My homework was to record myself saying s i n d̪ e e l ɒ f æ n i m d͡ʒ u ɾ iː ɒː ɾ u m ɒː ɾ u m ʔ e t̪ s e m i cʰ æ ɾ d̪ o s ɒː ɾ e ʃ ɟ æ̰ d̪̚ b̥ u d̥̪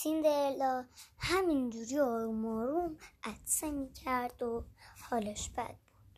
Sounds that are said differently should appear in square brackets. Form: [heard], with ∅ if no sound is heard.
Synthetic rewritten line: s i n d̪ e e l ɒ [h] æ [m] i [n] d͡ʒ u ɾ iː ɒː ɾ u m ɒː ɾ u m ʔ [æ] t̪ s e m i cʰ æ ɾ d̪ o [h] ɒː [l] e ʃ [b] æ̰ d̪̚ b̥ u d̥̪